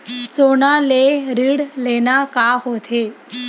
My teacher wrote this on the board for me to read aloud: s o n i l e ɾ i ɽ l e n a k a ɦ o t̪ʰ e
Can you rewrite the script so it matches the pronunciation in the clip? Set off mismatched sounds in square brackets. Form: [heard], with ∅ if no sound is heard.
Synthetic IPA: s o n [a] l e ɾ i ɽ l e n a k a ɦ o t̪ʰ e